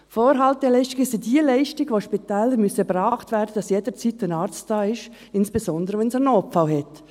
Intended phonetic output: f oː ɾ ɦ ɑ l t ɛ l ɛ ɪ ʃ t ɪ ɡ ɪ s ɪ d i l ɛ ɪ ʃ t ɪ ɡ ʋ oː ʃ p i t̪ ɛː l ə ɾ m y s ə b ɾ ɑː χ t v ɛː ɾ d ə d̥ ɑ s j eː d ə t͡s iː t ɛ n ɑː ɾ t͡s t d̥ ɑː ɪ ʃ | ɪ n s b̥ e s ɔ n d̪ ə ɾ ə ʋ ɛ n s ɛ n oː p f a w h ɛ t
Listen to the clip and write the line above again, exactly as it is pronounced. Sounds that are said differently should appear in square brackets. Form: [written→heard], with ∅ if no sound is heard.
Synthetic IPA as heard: f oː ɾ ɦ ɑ l t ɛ l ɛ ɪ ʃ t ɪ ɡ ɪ s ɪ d i l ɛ ɪ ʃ t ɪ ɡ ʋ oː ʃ p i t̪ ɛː l ə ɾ m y s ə b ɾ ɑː χ t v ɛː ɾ d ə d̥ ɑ s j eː d ə t͡s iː t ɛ n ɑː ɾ t͡s t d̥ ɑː ɪ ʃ | ɪ n s b̥ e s ɔ n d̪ ə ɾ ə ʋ ɛ n s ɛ n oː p f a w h ɛ t

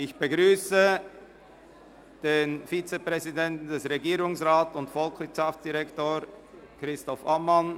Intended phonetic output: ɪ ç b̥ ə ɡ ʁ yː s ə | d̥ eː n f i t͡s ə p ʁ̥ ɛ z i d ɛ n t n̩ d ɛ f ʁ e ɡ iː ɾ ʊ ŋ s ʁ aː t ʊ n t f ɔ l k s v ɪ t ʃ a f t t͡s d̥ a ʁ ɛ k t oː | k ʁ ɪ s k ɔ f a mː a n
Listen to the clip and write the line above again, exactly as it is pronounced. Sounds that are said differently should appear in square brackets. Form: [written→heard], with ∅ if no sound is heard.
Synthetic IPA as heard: ɪ ç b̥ ə ɡ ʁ yː s ə | d̥ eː n f i t͡s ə p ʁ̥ ɛ z i d ɛ n t n̩ d ɛ [f→s] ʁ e ɡ iː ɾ ʊ ŋ s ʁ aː t ʊ n t f ɔ l k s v ɪ t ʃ a f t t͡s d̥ [a→i] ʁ ɛ k t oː | k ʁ ɪ s [k→t] ɔ f a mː a n

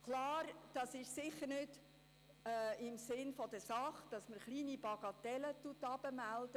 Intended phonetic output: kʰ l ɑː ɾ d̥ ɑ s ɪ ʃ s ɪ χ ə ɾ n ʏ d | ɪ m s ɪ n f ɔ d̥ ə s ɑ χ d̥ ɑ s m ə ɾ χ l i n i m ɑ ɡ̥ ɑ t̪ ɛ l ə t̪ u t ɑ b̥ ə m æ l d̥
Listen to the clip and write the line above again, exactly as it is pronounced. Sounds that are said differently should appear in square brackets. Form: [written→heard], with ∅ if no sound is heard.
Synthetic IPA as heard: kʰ l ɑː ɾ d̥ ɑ s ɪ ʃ s ɪ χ ə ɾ n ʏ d | ɪ m s ɪ n f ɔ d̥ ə s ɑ χ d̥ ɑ s m ə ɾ χ l [i→iː] n i [m→b] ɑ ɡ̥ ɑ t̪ ɛ l ə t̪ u t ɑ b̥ ə m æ l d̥

